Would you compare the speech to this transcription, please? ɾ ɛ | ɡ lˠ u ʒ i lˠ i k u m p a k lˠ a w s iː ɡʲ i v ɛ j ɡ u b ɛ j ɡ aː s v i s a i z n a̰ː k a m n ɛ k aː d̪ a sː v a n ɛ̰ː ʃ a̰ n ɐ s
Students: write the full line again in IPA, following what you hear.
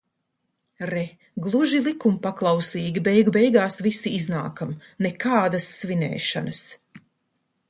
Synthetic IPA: ɾ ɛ | ɡ lˠ u ʒ i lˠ i k u m p a k lˠ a w s iː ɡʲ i b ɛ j ɡ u b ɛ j ɡ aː s v i s i i z n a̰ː k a m n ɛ k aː d̪ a sː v i n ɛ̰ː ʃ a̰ n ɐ s